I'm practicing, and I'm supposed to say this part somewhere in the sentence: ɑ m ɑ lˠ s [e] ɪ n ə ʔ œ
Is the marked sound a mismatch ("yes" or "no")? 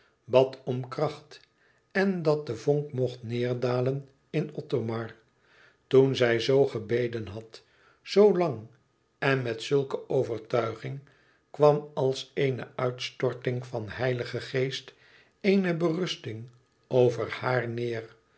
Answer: no